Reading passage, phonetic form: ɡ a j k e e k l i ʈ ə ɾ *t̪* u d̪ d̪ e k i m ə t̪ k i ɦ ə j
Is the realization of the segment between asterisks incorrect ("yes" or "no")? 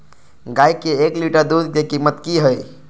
yes